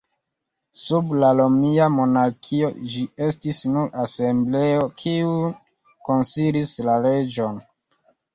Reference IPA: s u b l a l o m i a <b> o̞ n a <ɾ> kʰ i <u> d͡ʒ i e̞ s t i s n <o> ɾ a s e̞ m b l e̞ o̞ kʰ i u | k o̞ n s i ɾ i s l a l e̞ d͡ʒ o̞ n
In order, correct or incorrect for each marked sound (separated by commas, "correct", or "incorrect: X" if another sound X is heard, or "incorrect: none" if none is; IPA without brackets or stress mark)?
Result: incorrect: m, correct, incorrect: o, incorrect: u